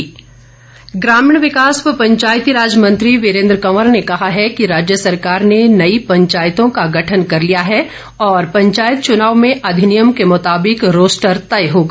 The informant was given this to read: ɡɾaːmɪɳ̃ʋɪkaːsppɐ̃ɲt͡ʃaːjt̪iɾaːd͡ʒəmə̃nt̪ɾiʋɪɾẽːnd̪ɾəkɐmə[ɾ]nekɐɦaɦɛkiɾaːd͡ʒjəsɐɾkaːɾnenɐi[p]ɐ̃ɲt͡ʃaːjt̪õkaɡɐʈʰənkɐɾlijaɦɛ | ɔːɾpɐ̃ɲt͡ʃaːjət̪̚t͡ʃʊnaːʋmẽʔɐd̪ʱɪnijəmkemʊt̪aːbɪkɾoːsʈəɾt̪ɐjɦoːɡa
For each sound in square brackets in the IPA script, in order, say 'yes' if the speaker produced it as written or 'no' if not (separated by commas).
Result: yes, yes